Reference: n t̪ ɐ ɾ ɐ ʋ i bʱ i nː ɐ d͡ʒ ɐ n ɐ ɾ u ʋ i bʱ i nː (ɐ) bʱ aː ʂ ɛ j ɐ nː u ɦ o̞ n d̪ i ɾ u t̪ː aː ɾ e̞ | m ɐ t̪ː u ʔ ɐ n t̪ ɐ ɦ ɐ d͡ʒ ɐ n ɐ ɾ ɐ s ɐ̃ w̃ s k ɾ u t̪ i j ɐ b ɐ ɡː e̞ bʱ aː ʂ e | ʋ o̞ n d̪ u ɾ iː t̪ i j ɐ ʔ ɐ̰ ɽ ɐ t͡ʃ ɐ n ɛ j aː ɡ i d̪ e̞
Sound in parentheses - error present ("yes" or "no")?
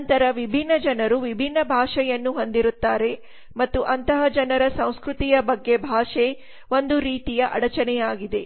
no